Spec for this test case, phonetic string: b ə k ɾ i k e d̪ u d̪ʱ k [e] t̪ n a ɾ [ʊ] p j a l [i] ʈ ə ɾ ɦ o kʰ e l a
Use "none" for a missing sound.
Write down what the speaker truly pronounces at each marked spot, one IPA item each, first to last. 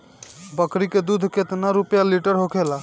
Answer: e, u, i

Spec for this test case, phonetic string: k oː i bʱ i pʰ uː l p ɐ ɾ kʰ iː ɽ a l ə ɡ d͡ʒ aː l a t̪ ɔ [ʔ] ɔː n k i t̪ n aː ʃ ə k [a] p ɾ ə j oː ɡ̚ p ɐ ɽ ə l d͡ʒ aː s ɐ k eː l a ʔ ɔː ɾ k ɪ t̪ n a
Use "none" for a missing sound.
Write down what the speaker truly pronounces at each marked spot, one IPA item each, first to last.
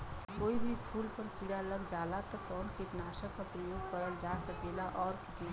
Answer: k, a

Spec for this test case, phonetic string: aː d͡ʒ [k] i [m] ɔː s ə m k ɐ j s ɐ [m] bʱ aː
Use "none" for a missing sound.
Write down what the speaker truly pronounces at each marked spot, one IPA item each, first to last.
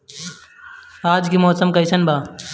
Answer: k, m, n

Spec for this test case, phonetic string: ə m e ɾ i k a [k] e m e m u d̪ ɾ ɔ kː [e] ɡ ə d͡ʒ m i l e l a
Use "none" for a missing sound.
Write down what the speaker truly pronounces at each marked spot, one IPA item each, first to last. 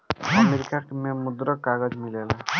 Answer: k, a

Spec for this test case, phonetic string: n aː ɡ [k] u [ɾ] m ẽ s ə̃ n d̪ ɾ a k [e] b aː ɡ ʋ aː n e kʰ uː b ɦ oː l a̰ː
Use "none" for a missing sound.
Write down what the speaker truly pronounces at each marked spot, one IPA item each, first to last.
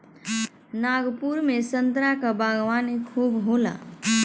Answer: p, ɾ, a

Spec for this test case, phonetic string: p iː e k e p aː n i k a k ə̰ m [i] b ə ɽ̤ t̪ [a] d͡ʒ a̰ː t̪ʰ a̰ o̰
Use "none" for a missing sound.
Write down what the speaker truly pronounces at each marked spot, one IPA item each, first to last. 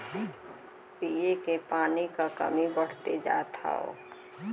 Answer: i, e

